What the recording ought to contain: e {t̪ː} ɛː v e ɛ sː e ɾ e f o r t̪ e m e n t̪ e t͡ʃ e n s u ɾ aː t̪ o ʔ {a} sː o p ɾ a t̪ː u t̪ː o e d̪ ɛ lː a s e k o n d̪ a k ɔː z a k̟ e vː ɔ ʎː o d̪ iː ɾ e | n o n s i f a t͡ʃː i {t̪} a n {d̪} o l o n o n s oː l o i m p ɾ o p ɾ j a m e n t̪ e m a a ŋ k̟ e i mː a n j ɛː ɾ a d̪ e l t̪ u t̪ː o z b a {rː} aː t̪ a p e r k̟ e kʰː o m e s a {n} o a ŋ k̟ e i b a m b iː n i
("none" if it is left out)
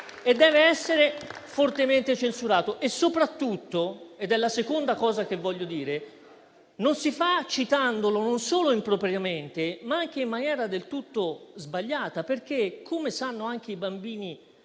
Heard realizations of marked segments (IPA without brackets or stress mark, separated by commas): d̪ː, e, t̪, d̪, ʎː, nː